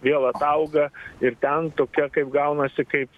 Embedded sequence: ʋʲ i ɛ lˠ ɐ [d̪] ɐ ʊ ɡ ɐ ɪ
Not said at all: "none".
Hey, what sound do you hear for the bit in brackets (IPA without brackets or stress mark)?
t̪